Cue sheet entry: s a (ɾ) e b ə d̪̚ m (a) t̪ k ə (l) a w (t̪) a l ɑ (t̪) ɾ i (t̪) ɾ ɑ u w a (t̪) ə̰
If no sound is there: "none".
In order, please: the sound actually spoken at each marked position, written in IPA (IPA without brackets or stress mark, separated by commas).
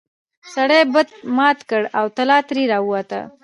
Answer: ɽ, ɑ, ɽ, t̪, t̪, none, t̪